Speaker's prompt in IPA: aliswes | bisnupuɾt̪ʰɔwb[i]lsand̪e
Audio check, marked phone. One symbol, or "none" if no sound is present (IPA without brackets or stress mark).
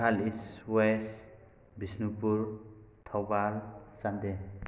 a